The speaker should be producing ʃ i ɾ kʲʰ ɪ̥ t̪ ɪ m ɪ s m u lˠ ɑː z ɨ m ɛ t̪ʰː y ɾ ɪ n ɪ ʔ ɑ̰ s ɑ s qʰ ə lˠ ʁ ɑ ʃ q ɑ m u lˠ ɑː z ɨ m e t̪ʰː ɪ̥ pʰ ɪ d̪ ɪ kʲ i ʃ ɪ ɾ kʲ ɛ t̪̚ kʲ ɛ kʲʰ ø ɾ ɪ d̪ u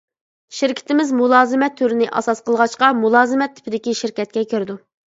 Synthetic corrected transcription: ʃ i ɾ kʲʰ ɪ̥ t̪ ɪ m ɪ z m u lˠ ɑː z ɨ m ɛ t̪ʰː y ɾ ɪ n ɪ ʔ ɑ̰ s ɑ s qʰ ə lˠ ʁ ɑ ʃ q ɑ m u lˠ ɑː z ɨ m ɛ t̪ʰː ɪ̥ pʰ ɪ d̪ ɪ kʲ i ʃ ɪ ɾ kʲ ɛ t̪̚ kʲ ɛ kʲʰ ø ɾ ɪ d̪ u